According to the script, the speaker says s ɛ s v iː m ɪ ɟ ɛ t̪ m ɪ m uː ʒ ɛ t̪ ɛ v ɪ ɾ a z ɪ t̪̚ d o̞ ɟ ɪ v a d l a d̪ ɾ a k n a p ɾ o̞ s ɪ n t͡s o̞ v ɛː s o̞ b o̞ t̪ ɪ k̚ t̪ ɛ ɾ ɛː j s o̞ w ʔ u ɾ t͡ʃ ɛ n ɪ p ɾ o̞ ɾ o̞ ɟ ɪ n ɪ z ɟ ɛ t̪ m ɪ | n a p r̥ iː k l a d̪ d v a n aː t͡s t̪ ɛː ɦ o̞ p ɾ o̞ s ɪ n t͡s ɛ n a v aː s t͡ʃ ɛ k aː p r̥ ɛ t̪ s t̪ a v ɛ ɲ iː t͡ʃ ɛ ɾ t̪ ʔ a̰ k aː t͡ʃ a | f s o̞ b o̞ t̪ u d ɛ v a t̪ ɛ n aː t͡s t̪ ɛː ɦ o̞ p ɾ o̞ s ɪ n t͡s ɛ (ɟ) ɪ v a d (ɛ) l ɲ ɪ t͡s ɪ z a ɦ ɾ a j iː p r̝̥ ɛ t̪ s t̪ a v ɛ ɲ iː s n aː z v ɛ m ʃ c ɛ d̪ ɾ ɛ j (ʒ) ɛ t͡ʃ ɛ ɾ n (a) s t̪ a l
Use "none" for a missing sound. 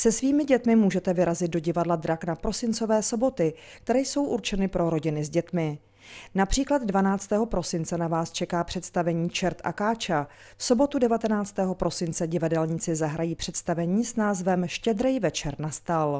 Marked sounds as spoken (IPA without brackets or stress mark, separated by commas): ɟ, ɛ, v, a